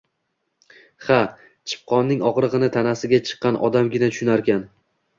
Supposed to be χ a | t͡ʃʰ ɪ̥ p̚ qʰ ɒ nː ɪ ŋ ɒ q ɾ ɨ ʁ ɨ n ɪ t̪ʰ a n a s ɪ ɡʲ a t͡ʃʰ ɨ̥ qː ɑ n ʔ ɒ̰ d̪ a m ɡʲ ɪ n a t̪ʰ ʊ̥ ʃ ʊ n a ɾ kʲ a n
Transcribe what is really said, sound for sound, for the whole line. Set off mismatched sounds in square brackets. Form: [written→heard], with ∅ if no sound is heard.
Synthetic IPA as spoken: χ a | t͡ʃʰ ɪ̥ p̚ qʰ ɒ nː ɪ ŋ ɒ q ɾ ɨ ʁ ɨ n ɪ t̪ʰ a n a s ɪ ɡʲ a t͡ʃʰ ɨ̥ qː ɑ n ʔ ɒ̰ d̪ a m ɡʲ ɪ n a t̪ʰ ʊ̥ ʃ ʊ n a ɾ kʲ a n